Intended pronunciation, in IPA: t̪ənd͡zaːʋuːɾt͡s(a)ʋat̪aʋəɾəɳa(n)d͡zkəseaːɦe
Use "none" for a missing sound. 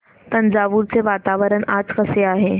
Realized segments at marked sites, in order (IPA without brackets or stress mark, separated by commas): e, none